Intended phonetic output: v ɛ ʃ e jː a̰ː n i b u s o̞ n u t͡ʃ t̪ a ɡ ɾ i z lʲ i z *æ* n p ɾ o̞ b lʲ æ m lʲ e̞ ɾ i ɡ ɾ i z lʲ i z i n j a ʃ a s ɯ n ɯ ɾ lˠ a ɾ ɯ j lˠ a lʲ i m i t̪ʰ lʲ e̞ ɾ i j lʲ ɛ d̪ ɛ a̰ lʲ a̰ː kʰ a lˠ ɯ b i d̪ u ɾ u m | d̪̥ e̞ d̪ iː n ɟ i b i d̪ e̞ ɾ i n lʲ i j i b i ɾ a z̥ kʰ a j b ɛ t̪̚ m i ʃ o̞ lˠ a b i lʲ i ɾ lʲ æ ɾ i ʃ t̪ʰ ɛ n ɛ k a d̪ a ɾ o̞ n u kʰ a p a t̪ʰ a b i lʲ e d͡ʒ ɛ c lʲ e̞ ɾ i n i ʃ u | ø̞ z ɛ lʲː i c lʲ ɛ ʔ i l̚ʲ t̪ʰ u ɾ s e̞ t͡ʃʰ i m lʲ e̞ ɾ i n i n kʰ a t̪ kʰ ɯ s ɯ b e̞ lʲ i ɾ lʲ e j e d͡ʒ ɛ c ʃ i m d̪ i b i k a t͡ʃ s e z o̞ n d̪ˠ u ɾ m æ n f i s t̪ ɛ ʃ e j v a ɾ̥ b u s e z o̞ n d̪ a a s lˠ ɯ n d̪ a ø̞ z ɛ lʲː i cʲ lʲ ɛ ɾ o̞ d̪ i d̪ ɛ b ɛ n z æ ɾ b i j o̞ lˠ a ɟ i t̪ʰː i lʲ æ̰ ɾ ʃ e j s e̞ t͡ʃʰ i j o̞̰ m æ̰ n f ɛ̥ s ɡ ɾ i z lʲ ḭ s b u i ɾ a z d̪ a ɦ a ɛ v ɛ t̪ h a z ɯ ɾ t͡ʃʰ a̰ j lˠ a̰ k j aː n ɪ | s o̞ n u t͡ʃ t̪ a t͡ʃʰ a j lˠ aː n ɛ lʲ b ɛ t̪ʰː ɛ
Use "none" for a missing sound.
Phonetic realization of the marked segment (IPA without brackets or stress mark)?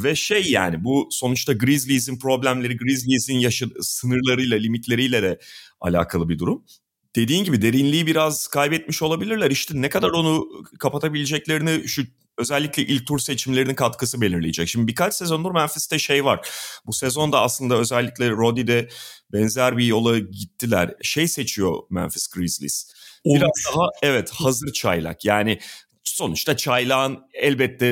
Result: i